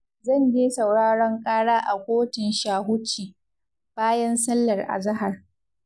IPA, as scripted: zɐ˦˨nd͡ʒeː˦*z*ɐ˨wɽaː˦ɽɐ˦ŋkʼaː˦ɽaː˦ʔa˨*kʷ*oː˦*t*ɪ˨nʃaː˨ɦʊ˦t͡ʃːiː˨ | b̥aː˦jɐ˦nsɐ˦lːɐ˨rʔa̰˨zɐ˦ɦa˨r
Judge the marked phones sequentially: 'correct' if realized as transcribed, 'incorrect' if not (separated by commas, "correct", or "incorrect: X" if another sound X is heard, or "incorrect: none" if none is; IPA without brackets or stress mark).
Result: incorrect: s, correct, correct